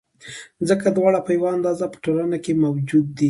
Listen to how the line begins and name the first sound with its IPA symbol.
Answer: z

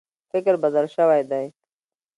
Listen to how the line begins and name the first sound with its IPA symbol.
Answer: f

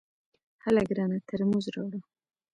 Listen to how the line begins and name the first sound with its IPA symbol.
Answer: h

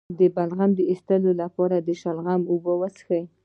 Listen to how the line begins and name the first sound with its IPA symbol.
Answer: d̪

